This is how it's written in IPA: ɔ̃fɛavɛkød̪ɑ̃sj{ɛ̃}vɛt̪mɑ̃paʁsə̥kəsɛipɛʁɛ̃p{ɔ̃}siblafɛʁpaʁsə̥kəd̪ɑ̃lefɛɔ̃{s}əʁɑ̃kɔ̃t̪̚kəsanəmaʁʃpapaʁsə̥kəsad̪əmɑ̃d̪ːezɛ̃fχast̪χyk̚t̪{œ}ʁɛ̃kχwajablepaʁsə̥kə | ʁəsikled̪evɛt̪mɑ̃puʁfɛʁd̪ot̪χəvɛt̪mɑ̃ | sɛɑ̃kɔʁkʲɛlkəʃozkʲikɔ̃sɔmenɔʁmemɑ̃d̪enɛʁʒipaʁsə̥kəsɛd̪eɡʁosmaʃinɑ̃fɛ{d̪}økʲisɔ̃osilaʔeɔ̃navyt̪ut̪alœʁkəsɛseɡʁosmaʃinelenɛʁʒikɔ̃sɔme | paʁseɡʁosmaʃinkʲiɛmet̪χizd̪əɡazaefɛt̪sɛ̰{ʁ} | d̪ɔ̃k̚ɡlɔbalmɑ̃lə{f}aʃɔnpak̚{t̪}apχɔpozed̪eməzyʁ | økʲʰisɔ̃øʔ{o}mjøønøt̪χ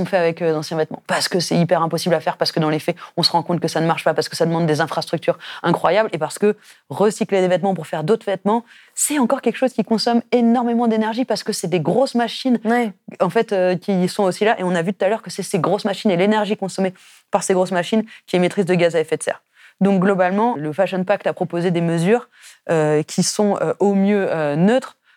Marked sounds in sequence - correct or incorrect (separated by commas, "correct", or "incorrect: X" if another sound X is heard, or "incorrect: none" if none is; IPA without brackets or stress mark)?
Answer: correct, incorrect: ɔ, correct, incorrect: y, incorrect: t̪, correct, correct, correct, correct